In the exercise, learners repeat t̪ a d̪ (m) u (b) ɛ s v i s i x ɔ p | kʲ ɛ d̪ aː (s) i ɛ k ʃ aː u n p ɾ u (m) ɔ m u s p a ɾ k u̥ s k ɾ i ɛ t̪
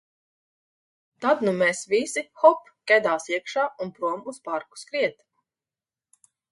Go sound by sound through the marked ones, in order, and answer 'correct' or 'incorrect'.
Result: incorrect, incorrect, correct, incorrect

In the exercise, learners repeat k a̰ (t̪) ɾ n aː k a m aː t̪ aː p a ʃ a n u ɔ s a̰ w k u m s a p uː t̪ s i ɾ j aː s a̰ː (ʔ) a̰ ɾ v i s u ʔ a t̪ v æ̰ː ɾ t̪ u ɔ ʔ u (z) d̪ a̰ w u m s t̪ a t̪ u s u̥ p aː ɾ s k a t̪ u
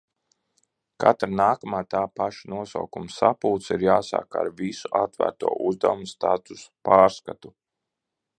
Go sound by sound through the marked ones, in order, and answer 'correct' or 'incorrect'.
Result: correct, incorrect, correct

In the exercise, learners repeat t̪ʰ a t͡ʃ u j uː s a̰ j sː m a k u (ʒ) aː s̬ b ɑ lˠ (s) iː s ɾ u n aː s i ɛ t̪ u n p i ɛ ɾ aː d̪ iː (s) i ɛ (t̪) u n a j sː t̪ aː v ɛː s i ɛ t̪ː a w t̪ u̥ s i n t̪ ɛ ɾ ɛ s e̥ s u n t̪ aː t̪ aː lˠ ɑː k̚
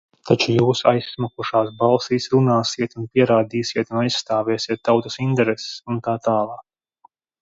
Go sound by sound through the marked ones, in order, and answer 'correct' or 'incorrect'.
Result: incorrect, correct, correct, correct

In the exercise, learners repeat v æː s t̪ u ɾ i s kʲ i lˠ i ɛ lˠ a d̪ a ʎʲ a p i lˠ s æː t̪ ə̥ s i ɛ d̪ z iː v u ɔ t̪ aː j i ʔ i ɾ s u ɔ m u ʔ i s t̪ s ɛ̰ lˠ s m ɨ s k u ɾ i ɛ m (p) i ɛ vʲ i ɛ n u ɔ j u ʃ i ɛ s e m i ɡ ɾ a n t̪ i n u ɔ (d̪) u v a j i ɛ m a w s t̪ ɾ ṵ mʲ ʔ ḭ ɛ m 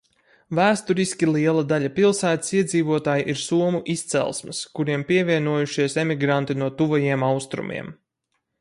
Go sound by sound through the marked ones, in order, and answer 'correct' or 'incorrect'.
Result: correct, incorrect

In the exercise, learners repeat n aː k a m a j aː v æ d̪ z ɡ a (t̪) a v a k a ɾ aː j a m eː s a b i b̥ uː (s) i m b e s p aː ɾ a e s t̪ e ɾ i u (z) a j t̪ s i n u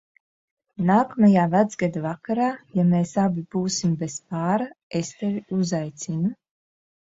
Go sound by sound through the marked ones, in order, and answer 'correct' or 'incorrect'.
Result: incorrect, correct, correct

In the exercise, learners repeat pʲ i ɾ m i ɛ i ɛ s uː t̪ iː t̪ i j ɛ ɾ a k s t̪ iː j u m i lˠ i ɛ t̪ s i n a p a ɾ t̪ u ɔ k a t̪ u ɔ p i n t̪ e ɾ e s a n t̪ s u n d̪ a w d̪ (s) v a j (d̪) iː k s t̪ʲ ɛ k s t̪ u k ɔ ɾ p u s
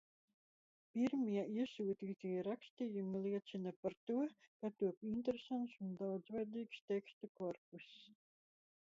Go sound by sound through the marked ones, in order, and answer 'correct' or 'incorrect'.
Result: incorrect, correct

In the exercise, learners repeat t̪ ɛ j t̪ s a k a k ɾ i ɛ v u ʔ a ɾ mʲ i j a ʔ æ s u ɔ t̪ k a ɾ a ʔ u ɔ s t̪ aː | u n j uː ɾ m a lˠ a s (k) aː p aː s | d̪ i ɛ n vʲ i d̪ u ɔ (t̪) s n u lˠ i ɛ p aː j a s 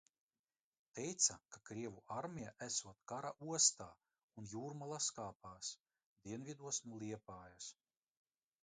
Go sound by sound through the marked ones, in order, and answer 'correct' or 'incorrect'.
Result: correct, incorrect

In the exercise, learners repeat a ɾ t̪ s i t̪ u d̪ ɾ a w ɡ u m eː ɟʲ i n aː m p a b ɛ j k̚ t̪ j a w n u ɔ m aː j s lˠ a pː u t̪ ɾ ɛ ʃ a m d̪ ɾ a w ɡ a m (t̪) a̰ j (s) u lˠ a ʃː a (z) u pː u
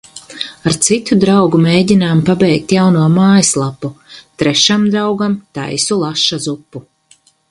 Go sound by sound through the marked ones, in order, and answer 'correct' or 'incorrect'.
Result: correct, correct, correct

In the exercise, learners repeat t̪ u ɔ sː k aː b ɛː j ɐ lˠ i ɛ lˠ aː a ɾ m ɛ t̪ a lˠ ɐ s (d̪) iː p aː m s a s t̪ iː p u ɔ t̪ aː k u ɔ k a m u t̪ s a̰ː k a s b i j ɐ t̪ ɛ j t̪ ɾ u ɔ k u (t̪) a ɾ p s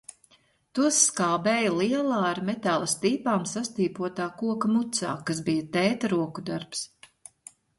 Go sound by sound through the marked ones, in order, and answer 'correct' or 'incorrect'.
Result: incorrect, incorrect

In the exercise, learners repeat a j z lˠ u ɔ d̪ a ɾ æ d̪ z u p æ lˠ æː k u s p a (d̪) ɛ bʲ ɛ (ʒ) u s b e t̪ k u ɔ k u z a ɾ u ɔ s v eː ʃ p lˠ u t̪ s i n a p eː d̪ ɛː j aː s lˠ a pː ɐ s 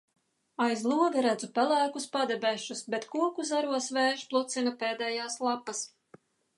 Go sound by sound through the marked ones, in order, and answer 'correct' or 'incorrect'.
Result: correct, incorrect

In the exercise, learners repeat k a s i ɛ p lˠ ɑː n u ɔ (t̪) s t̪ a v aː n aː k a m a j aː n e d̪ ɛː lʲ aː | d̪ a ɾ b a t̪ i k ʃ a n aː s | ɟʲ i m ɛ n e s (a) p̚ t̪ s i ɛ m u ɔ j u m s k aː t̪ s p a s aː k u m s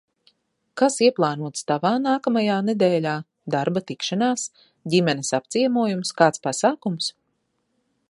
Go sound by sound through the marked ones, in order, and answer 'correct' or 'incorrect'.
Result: correct, correct

